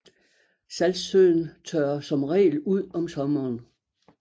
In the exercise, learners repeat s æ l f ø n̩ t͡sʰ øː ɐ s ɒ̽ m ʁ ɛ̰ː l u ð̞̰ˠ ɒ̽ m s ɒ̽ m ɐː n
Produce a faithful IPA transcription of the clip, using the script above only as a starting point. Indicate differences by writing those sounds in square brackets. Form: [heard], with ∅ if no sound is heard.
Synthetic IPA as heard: s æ l [s] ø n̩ t͡sʰ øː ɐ s ɒ̽ m ʁ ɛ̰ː l u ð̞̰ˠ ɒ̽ m s ɒ̽ m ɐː n